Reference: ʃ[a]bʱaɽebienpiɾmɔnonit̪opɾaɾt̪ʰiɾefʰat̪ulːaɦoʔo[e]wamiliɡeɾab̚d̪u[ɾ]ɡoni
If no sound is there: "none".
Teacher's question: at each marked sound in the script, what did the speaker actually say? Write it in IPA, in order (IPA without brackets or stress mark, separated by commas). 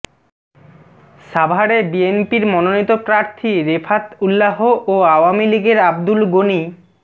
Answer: a, a, l